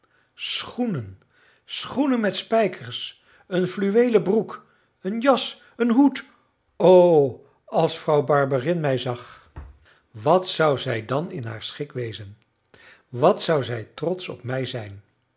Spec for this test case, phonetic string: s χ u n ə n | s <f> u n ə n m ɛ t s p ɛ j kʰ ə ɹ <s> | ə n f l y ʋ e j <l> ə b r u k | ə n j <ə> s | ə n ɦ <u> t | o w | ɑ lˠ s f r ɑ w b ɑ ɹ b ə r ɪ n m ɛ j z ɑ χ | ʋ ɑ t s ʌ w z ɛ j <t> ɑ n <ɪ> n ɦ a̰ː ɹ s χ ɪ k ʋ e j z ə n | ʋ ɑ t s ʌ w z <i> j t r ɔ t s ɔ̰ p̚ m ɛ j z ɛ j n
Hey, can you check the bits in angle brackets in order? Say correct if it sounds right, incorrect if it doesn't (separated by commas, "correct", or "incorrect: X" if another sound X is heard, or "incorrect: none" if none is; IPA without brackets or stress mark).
incorrect: χ, correct, correct, incorrect: ɑ, correct, incorrect: d, correct, incorrect: ɛ